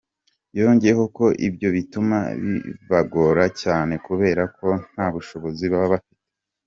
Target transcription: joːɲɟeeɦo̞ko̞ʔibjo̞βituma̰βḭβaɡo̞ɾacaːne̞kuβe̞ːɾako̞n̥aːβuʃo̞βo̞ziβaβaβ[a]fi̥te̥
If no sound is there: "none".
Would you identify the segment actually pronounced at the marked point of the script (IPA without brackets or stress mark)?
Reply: a